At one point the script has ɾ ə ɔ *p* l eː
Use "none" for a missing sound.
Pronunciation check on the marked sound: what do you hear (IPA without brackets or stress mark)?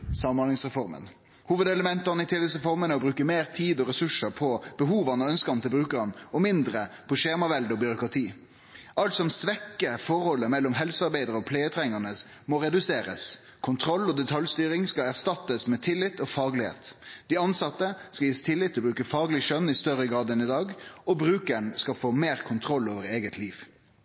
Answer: pʰ